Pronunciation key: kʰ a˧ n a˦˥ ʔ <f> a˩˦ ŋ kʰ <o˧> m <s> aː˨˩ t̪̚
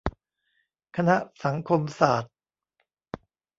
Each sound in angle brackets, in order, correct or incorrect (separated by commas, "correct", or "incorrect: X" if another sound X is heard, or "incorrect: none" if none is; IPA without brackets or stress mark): incorrect: s, correct, correct